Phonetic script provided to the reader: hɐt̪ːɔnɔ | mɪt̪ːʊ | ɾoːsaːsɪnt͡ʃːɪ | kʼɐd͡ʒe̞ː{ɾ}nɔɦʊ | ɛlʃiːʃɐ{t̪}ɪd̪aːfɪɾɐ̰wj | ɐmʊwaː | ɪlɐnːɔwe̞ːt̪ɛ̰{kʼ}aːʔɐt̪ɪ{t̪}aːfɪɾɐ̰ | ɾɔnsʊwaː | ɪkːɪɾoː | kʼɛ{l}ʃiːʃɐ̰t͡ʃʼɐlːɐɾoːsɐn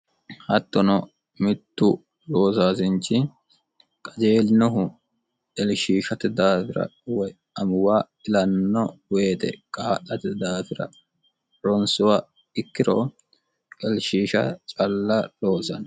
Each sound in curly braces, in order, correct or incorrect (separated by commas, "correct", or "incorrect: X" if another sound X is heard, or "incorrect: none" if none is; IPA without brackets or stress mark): incorrect: l, correct, correct, incorrect: d̪, correct